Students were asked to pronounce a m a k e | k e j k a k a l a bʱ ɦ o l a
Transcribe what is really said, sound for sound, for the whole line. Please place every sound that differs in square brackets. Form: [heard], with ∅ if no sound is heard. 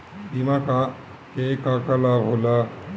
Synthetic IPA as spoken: [i] m a k [a] | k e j k a k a l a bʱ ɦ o l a